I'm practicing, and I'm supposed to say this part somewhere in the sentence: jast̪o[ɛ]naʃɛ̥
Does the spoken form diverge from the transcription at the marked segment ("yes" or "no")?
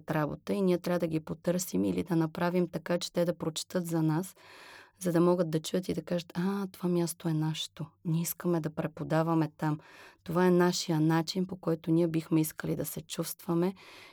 no